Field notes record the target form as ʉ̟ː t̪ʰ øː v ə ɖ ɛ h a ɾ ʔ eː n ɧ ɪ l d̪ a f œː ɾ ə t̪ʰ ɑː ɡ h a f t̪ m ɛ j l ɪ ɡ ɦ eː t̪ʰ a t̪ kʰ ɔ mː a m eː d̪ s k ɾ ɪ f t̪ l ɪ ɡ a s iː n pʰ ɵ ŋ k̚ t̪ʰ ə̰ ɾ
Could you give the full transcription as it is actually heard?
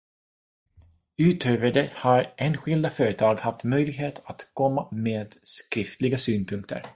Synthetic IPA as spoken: ʉ̟ː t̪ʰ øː v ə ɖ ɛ h a ɾ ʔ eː n ɧ ɪ l d̪ a f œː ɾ ə t̪ʰ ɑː ɡ h a f t̪ m œ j l ɪ ɡ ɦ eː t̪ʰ a t̪ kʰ ɔ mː a m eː d̪ s k ɾ ɪ f t̪ l ɪ ɡ a s yː n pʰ ɵ ŋ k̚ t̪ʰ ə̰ ɾ